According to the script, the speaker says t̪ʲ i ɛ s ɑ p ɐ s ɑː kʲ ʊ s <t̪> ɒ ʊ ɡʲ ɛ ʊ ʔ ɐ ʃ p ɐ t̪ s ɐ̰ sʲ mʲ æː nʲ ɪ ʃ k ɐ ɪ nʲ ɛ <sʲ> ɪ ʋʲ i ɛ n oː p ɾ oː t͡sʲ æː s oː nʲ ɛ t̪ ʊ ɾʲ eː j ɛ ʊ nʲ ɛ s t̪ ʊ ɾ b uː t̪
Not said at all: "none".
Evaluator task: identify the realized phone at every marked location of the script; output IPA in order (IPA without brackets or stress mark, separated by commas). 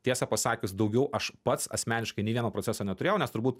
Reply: d̪, none